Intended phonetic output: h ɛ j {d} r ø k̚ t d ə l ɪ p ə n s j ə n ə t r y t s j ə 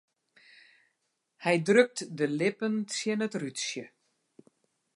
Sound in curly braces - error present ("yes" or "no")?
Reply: no